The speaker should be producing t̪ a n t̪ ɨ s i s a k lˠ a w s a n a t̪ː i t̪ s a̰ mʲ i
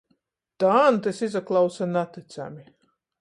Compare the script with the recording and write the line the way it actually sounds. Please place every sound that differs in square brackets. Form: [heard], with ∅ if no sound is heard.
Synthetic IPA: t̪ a n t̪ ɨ s i [z] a k lˠ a w s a n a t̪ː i t̪ s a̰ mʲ i